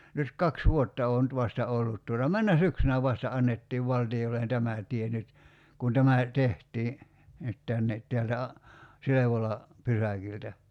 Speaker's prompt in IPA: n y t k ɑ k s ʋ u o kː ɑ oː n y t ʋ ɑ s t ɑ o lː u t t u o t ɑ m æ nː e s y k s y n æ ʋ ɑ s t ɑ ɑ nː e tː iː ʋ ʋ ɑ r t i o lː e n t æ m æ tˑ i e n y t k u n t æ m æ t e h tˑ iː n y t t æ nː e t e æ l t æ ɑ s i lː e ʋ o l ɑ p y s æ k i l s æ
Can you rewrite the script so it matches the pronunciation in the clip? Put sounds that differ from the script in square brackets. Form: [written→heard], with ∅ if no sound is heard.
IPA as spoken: n y t k ɑ k s ʋ u o [kː→tː] ɑ oː n y t ʋ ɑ s t ɑ o lː u t t u o t ɑ m æ nː [e→æ] s y k s y n æ ʋ ɑ s t ɑ ɑ nː e tː iː ʋ ʋ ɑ [r→l] t i o lː e n t æ m æ tˑ i e n y t k u n t æ m æ t e h tˑ iː n y t t æ nː e t e æ l t æ ɑ s i [lː→l] e ʋ o l ɑ p y s æ k i l [s→t] æ